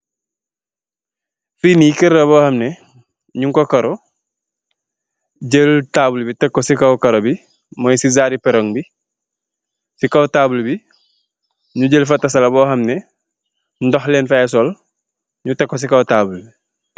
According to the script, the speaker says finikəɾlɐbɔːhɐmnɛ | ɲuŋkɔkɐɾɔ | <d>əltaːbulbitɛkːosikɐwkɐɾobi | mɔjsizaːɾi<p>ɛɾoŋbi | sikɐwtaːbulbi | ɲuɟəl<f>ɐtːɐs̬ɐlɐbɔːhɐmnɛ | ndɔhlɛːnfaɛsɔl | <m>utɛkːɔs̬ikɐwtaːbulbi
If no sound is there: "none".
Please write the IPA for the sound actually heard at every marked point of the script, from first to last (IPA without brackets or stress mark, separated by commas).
ɟ, p, f, ɲ